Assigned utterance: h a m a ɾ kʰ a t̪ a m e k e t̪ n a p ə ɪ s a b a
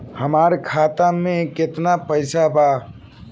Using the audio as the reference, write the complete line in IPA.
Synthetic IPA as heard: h ə m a ɾ kʰ a t̪ a m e k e t̪ n a p ə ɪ s a b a